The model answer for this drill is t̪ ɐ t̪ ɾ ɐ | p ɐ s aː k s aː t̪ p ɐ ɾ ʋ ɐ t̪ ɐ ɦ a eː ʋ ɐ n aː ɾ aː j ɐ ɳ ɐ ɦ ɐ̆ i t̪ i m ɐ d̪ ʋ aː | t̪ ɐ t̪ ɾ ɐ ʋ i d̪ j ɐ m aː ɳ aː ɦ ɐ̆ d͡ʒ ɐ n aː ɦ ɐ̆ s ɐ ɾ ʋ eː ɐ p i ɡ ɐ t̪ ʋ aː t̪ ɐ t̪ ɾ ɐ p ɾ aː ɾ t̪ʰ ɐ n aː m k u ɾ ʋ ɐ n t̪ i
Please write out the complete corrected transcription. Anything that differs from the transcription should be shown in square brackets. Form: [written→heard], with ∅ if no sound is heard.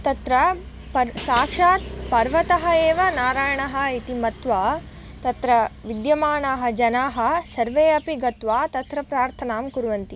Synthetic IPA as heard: t̪ ɐ t̪ ɾ ɐ | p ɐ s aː k [s→ʂ] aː t̪ p ɐ ɾ ʋ ɐ t̪ ɐ ɦ [a→ɐ] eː ʋ ɐ n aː ɾ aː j ɐ ɳ ɐ ɦ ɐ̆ i t̪ i m ɐ [d̪→t̪] ʋ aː | t̪ ɐ t̪ ɾ ɐ ʋ i d̪ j ɐ m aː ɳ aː ɦ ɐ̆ d͡ʒ ɐ n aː ɦ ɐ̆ s ɐ ɾ ʋ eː ɐ p i ɡ ɐ t̪ ʋ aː t̪ ɐ t̪ ɾ ɐ p ɾ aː ɾ t̪ʰ ɐ n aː m k u ɾ ʋ ɐ n t̪ i